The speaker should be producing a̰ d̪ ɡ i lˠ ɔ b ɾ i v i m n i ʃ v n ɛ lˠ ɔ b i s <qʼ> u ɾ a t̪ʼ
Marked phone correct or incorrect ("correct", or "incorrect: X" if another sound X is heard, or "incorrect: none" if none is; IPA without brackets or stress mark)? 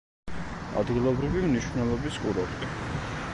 incorrect: kʼ